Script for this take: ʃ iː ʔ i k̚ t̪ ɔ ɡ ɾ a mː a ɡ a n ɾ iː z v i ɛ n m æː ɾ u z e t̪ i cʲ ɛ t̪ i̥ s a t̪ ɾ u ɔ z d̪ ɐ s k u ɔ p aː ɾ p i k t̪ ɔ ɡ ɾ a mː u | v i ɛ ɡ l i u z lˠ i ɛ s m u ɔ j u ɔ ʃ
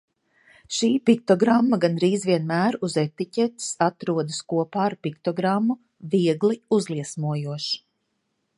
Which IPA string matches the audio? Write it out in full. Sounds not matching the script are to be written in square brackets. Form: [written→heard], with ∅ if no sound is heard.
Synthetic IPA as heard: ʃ iː [ʔ→p] i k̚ t̪ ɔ ɡ ɾ a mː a ɡ a n ɾ iː z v i ɛ n m æː ɾ u z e t̪ i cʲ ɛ t̪ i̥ s a t̪ ɾ u ɔ [z→∅] d̪ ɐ s k u ɔ p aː ɾ p i k t̪ ɔ ɡ ɾ a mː u | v i ɛ ɡ l i u z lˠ i ɛ s m u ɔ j u ɔ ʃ